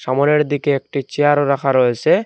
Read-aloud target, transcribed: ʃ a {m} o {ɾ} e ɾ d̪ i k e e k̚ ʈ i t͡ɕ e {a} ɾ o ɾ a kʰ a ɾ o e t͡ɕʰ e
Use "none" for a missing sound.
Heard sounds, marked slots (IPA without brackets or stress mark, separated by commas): m, ɾ, a